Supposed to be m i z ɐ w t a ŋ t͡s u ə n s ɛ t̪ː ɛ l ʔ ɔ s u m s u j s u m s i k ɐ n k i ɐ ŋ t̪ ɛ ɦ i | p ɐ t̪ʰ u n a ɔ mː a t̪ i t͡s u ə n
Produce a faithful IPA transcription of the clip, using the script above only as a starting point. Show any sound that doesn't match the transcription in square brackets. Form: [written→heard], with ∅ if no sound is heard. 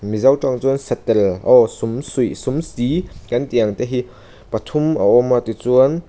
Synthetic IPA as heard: m i z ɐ w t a ŋ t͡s u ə n s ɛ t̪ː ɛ l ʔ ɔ s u m s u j s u m s i k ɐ n [k→t] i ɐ ŋ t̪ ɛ ɦ i | p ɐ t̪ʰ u [n→m] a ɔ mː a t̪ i t͡s u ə n

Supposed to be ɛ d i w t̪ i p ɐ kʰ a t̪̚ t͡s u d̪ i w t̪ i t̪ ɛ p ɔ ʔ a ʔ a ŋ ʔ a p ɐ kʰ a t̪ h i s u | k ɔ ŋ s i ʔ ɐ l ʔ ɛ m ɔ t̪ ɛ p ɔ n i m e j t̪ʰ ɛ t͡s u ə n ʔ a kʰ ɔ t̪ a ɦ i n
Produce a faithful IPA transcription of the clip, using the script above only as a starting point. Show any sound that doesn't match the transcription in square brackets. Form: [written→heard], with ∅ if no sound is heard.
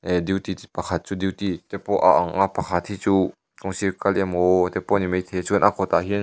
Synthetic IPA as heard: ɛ d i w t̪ i p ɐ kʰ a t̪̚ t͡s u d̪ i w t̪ i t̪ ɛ p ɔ ʔ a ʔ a ŋ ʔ a p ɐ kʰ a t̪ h i [s→t͡s] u | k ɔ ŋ s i [ʔ→k] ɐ l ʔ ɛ m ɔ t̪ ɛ p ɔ n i m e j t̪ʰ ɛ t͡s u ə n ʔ a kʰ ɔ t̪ a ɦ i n

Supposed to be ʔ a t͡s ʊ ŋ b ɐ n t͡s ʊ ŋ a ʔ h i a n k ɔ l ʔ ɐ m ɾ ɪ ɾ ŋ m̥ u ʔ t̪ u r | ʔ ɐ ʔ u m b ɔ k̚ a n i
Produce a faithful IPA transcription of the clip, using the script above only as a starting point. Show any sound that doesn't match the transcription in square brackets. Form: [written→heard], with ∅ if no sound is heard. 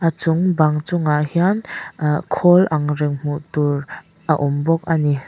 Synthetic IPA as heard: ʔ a t͡s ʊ ŋ b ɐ [n→ŋ] t͡s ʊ ŋ a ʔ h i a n [k→kʰ] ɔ l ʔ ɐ [m→ŋ] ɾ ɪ [ɾ→∅] ŋ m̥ u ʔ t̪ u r | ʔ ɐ ʔ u m b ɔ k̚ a n i

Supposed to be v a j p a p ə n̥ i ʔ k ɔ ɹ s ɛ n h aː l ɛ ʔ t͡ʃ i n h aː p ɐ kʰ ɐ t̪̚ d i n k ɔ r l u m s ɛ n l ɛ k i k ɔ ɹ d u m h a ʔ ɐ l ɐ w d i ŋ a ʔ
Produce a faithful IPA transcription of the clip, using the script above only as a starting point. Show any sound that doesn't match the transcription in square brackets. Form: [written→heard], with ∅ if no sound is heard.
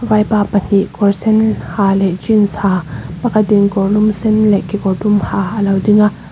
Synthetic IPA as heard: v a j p a p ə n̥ i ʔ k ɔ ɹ s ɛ n h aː l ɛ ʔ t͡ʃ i n [h→s] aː p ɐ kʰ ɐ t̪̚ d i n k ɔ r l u m s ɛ n l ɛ k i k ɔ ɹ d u m h a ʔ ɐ l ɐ w d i ŋ a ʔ

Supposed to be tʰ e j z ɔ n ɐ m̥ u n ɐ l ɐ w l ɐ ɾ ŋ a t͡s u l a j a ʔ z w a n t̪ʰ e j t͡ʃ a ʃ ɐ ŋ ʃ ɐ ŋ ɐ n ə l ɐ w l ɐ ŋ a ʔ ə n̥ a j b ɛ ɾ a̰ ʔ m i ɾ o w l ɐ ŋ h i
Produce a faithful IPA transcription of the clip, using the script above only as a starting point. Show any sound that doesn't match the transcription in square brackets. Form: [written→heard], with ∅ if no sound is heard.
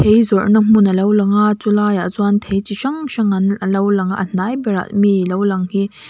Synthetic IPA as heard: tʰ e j z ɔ n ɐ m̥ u n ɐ l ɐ w l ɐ [ɾ→∅] ŋ a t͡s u l a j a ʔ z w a n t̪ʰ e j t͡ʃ [a→i] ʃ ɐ ŋ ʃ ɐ ŋ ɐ n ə l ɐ w l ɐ ŋ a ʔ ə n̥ a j b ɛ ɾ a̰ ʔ m i [ɾ→l] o w l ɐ ŋ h i

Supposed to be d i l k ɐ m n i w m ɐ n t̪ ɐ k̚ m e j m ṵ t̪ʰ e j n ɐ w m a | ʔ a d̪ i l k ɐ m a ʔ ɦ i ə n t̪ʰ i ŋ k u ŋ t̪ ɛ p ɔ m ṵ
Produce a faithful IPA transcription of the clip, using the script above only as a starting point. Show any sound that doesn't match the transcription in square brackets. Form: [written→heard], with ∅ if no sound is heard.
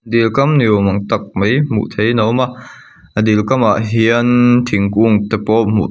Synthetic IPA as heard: d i l k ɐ m n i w m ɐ [n→ŋ] t̪ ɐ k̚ m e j m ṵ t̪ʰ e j n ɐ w m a | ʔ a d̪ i l k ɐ m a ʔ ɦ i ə n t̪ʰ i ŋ k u ŋ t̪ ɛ p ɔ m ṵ

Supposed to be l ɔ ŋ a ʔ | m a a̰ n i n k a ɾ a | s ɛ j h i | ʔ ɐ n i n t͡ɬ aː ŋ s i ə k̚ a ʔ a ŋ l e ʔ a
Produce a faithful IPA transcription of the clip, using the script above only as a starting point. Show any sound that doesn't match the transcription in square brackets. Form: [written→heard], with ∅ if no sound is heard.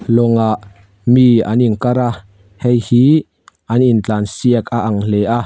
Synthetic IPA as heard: l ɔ ŋ a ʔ | m [a→i] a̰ n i n k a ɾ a | [s→h] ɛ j h i | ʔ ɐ n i n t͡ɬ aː [ŋ→n] s i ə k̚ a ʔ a ŋ l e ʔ a

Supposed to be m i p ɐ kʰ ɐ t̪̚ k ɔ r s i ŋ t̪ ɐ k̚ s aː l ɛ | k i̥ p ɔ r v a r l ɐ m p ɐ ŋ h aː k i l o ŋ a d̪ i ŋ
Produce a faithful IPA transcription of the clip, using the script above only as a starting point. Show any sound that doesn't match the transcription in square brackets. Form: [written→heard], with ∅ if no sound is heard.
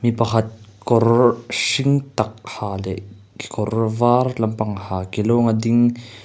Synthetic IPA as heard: m i p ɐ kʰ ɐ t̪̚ k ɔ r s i ŋ t̪ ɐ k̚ [s→h] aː l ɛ | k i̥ [p→k] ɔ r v a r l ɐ m p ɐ ŋ h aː k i l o ŋ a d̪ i ŋ

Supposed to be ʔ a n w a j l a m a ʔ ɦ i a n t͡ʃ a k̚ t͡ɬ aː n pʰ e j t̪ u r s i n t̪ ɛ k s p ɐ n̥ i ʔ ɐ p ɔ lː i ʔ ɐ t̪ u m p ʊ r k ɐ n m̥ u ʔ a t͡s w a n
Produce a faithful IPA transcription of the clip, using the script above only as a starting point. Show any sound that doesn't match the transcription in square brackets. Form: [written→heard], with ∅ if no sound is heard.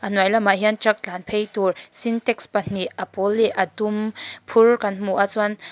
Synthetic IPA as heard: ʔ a n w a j l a m a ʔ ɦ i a n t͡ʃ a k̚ t͡ɬ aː n pʰ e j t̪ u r s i n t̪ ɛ k s p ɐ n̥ i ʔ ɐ p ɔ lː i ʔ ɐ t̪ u m [p→pʰ] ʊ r k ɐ n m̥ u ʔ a t͡s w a n

